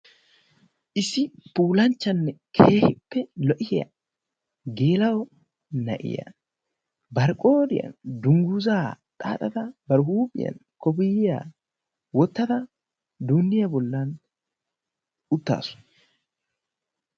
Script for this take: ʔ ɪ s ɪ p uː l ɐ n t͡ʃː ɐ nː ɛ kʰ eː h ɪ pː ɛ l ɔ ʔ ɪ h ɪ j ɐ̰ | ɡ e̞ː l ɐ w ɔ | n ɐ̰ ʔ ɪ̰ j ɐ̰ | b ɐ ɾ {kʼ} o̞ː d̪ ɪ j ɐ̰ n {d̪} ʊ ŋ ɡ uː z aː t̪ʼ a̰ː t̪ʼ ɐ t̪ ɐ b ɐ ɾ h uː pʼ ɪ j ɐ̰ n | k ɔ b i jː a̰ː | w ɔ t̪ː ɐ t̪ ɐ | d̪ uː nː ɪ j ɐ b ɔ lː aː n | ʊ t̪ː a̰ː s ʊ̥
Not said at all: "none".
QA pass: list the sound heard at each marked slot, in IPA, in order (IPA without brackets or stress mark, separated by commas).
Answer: kʼ, d̪